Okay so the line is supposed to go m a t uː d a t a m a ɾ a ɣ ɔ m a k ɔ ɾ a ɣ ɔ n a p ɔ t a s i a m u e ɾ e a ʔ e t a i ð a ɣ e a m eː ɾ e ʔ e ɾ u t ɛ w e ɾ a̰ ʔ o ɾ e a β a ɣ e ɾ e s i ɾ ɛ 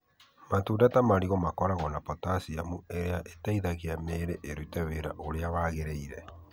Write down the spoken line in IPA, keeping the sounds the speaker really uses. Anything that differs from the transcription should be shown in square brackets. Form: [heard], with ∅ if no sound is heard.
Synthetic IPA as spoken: m a t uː d a t a m a ɾ [i] ɣ ɔ m a k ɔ ɾ a ɣ ɔ n a p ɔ t a s i a m u e ɾ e a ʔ e t a i ð a ɣ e a m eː ɾ e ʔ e ɾ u t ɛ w e ɾ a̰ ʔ o ɾ e a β a ɣ e ɾ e [∅] i ɾ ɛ